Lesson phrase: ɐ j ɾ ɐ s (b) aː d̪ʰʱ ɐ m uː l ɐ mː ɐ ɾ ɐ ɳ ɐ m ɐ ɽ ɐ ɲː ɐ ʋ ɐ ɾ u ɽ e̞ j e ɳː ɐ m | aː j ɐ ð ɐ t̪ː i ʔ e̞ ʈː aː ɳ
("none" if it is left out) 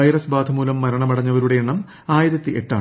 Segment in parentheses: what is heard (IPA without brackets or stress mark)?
b